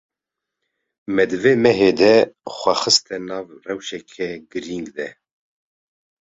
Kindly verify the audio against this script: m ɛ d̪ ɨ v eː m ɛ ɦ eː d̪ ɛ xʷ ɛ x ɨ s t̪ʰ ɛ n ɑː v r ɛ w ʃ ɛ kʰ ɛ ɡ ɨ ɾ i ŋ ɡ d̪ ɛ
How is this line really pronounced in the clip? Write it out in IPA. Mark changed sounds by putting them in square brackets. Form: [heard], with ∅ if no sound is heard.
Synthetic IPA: m ɛ d̪ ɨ v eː m ɛ ɦ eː d̪ ɛ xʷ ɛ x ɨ s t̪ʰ ɛ n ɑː v r ɛ w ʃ ɛ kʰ ɛ ɡ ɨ ɾ i ŋ ɡ d̪ ɛ